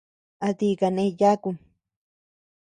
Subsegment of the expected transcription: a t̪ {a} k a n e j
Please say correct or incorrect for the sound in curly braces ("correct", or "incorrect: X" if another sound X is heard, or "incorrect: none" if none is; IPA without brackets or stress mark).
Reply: incorrect: i